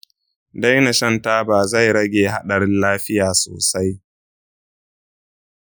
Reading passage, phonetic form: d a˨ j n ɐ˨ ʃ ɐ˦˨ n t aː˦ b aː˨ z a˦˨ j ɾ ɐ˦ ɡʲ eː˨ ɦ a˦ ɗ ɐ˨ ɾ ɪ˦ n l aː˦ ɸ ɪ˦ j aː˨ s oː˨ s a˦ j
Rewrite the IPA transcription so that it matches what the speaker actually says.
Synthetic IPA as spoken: d a˦ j n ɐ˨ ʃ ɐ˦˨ n t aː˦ b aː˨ z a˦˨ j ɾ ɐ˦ ɡʲ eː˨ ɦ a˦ ɗ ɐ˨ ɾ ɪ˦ n l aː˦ ɸ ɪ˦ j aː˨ s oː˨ s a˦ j